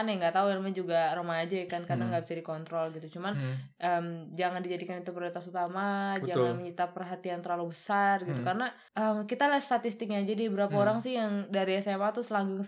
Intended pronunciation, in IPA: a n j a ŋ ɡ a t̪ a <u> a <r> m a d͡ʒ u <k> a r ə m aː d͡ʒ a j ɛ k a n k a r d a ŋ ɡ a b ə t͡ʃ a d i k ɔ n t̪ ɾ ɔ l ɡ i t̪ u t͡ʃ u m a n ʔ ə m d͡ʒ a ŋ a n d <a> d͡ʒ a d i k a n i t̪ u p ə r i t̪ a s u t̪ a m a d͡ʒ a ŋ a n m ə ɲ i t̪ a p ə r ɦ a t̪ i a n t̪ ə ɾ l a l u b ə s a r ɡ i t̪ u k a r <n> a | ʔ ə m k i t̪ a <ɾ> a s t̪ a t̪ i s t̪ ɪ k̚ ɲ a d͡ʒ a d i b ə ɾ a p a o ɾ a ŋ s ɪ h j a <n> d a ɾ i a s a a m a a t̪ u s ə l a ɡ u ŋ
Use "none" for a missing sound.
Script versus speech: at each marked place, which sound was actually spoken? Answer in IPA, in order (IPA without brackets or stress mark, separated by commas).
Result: u, l, ɡ, i, n, l, ŋ